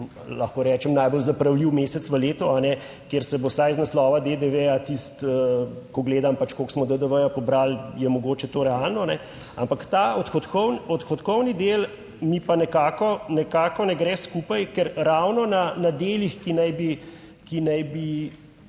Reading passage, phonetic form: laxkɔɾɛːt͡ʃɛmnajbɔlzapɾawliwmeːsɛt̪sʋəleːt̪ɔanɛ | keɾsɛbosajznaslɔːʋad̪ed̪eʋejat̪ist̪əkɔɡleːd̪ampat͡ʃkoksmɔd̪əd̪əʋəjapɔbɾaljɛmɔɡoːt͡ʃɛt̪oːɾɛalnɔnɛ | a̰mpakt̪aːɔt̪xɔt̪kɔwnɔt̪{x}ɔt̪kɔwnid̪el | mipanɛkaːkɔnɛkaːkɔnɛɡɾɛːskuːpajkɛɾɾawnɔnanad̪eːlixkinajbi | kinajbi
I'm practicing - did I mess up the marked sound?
no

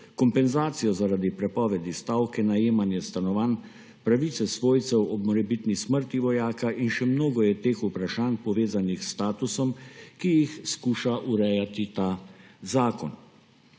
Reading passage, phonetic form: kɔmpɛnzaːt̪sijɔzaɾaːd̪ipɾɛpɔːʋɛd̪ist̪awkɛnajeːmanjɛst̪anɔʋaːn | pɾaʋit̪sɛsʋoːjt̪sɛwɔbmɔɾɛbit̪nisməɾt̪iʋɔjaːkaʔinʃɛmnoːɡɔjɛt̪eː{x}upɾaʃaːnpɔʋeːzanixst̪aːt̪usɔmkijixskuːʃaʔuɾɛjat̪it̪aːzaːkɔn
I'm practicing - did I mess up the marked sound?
no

